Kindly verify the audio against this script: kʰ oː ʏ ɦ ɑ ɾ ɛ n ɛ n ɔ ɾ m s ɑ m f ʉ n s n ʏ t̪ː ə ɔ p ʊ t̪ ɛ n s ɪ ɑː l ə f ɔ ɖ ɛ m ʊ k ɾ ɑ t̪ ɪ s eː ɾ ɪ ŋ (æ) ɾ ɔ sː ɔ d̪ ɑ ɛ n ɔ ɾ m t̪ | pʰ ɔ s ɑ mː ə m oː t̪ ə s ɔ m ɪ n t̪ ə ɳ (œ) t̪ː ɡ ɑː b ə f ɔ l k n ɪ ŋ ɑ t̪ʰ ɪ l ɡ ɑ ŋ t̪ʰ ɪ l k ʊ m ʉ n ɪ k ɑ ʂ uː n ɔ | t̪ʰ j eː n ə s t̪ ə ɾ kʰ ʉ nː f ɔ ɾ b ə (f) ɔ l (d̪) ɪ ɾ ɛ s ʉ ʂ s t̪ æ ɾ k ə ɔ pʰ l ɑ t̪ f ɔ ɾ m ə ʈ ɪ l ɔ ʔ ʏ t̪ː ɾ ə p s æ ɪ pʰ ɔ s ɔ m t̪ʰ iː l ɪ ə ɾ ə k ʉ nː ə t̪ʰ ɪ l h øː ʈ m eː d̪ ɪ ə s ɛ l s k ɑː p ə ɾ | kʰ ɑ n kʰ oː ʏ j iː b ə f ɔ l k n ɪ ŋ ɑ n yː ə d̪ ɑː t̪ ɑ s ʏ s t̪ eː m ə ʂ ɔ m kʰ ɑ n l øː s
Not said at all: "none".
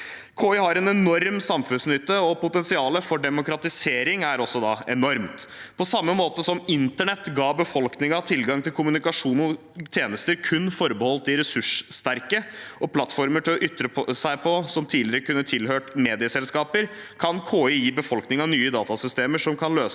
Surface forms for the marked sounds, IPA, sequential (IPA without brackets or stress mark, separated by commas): æ, ɛ, h, t̪